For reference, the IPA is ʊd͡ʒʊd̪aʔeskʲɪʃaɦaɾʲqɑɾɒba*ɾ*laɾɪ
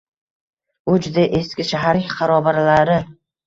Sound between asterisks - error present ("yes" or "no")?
no